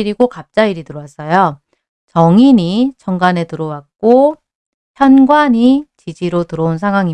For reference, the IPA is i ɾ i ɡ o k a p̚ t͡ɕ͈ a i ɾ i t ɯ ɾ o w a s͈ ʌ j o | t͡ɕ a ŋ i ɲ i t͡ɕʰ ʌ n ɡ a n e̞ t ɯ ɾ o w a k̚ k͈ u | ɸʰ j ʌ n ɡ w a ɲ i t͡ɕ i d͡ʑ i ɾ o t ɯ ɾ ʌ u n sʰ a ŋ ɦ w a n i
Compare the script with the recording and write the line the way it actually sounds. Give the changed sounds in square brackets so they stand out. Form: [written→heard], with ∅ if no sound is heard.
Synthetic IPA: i ɾ i ɡ o k a p̚ t͡ɕ͈ a i ɾ i t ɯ ɾ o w a s͈ ʌ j o | t͡ɕ [a→ʌ] ŋ i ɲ i t͡ɕʰ ʌ [n→ŋ] ɡ a n e̞ t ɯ ɾ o w a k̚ k͈ [u→o] | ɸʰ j ʌ n ɡ w a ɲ i t͡ɕ i d͡ʑ i ɾ o t ɯ ɾ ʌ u n sʰ a ŋ ɦ w a [n→ŋ] i